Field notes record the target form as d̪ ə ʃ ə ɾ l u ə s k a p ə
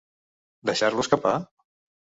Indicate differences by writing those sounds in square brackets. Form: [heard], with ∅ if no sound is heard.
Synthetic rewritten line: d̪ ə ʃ [a] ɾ l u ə s k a p [a]